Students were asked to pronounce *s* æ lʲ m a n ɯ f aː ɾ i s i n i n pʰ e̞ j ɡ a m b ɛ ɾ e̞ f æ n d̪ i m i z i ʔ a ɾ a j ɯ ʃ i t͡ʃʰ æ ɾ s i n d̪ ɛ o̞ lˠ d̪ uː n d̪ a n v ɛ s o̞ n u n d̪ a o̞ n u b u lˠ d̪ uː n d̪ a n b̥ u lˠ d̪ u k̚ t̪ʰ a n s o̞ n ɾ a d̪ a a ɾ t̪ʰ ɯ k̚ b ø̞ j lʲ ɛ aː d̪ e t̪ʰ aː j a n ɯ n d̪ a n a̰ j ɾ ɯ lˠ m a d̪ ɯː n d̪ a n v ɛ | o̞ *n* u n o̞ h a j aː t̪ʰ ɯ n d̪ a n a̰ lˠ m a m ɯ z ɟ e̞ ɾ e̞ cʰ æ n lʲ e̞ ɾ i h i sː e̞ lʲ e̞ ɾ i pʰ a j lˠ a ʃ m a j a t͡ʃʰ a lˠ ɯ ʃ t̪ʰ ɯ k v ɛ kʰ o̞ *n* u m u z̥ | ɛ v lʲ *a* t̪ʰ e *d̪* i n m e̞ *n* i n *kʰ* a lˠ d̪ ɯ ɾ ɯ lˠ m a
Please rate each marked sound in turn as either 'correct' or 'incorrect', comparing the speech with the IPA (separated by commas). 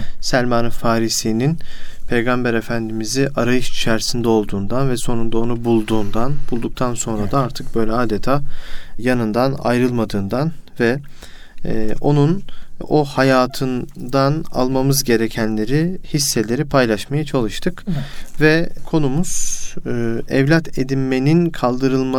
correct, correct, correct, correct, correct, correct, correct